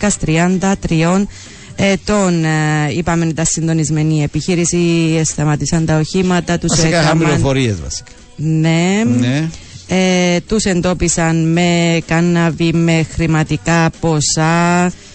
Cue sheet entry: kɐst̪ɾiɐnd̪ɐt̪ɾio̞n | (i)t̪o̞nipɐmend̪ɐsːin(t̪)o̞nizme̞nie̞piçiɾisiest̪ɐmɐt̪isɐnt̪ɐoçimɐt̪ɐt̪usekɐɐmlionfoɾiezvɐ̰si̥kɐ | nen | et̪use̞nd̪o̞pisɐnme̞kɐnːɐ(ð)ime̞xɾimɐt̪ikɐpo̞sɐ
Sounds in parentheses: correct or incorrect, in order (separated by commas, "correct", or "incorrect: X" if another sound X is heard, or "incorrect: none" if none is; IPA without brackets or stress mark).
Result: incorrect: e, incorrect: d̪, incorrect: v